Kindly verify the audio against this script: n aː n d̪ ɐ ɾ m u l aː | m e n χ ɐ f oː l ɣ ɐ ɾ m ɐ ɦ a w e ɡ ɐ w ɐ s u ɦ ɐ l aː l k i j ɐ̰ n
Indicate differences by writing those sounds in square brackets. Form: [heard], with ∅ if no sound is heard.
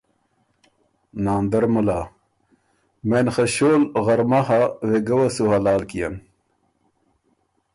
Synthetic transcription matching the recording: n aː n d̪ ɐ ɾ m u l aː | m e n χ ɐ [ɕ] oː l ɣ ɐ ɾ m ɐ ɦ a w e ɡ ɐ w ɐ s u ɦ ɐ l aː l k i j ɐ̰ n